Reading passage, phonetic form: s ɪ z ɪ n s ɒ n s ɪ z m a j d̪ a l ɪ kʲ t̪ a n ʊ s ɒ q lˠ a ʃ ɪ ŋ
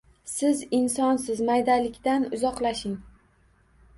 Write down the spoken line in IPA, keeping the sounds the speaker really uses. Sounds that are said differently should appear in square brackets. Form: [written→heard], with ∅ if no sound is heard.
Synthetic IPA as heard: s ɪ z ɪ n s ɒ n s ɪ z m a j d̪ a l ɪ kʲ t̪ a n ʊ [s→z] ɒ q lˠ a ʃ ɪ ŋ